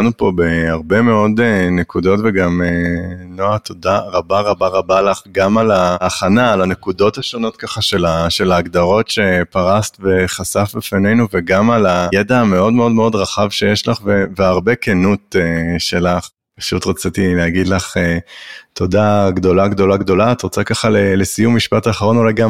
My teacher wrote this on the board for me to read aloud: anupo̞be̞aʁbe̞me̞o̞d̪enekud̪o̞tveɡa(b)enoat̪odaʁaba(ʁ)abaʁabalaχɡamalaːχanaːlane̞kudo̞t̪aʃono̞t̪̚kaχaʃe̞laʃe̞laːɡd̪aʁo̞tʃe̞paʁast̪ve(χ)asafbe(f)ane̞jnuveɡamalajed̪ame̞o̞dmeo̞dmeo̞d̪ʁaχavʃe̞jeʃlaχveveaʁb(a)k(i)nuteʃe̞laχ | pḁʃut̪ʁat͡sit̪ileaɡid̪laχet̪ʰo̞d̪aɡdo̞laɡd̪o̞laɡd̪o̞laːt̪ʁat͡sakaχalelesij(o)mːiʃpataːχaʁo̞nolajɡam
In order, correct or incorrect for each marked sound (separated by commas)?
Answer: incorrect, correct, correct, correct, incorrect, incorrect, incorrect